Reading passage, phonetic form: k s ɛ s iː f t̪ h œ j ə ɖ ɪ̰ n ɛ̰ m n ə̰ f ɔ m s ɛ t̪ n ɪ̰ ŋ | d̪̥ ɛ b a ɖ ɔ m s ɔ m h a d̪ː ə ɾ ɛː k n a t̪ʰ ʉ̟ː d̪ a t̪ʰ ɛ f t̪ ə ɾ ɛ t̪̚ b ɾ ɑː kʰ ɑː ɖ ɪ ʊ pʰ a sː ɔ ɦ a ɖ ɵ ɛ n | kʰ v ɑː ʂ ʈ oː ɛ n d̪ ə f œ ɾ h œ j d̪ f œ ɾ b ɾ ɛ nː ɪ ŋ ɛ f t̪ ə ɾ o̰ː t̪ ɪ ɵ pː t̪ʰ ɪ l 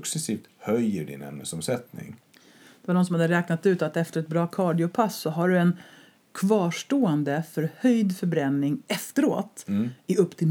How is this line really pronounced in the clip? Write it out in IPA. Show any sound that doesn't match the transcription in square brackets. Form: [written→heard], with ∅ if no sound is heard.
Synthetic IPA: k s ɛ s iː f t̪ h œ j ə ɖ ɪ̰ n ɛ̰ m n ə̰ [f→s] ɔ m s ɛ t̪ n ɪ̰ ŋ | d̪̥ ɛ [b→v] a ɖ ɔ [m→n] s ɔ m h a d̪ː ə ɾ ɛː k n a [t̪ʰ→t̪] ʉ̟ː [d̪→t̪] a [t̪ʰ→t̪] ɛ f t̪ ə ɾ ɛ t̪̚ b ɾ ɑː kʰ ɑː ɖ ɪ ʊ pʰ a sː ɔ ɦ a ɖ ɵ ɛ n | kʰ v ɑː ʂ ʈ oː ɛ n d̪ ə f œ ɾ h œ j d̪ f œ ɾ b ɾ ɛ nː ɪ ŋ ɛ f t̪ ə ɾ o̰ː t̪ ɪ ɵ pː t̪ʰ ɪ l